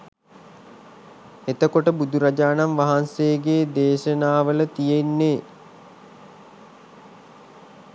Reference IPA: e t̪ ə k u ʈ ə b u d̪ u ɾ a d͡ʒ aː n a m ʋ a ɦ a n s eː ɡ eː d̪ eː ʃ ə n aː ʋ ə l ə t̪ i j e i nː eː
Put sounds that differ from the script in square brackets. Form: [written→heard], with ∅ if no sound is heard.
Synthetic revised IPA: e t̪ ə k [u→o] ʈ ə b u d̪ u ɾ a d͡ʒ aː n a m ʋ a ɦ a n s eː ɡ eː d̪ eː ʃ ə n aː ʋ ə l ə t̪ i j e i nː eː